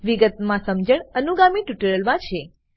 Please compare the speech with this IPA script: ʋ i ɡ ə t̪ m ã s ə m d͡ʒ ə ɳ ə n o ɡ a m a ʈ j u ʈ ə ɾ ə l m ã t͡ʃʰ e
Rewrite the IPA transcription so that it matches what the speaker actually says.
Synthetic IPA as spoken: ʋ i ɡ ə t̪ m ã s ə m d͡ʒ ə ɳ ə n u ɡ a m i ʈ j u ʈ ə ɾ ə l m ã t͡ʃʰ e